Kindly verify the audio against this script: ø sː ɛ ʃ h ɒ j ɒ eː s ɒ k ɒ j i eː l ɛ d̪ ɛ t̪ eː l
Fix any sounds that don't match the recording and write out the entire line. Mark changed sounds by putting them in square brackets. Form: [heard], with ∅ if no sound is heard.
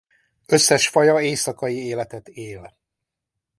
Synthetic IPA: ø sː ɛ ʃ [f] ɒ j ɒ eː s ɒ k ɒ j i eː l ɛ [t̪] ɛ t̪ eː l